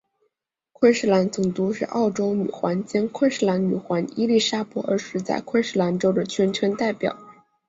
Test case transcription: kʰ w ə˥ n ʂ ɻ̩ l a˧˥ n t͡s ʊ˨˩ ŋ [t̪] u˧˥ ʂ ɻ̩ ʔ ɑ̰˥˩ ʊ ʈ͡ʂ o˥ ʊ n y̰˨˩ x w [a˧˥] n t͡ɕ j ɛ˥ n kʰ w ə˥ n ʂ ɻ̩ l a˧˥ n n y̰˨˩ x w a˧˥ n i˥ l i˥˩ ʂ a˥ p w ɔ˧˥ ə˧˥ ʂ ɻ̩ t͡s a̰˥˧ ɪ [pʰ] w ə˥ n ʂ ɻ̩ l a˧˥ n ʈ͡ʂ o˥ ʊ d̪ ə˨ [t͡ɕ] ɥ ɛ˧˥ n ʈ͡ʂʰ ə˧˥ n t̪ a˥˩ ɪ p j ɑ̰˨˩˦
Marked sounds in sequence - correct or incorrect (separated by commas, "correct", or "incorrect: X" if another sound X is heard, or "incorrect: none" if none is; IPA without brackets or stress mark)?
correct, correct, incorrect: kʰ, incorrect: t͡ɕʰ